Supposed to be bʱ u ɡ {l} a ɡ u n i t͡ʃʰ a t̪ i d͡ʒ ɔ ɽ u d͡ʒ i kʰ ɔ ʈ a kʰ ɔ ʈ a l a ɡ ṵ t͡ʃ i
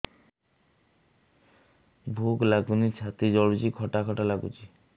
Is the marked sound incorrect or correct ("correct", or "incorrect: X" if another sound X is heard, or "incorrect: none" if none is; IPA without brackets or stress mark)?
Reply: correct